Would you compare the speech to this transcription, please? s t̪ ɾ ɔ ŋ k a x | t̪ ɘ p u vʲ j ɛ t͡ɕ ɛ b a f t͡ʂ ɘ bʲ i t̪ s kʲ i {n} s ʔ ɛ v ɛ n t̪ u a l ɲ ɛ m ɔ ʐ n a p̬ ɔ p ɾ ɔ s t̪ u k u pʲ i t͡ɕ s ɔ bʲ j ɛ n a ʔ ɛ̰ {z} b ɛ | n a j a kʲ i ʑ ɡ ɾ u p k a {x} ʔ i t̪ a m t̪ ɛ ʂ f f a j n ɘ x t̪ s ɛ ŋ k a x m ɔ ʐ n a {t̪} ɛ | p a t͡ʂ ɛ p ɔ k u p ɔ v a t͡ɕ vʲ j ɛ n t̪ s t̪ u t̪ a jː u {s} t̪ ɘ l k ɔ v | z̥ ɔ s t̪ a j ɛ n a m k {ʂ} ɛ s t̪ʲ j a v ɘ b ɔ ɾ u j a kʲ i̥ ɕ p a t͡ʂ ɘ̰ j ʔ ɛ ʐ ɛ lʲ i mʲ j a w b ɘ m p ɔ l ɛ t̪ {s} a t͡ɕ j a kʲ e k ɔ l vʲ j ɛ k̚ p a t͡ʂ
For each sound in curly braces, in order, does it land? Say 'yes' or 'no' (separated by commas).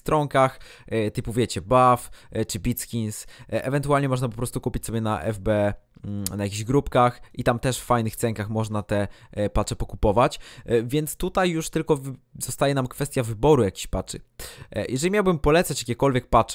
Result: yes, no, yes, yes, no, no, yes